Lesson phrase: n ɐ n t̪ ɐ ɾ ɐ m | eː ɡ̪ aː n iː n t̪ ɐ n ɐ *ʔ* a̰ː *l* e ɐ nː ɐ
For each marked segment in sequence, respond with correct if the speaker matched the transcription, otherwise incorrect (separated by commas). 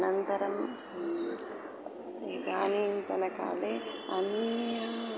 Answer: incorrect, correct